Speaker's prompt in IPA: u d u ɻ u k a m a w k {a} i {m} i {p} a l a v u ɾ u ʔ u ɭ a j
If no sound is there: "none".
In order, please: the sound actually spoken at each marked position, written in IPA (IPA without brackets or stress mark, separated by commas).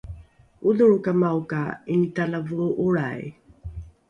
a, n, t